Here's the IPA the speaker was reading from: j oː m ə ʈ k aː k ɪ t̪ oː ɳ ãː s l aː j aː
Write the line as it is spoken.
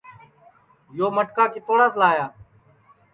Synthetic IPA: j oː m ə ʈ k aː k ɪ t̪ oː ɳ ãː s l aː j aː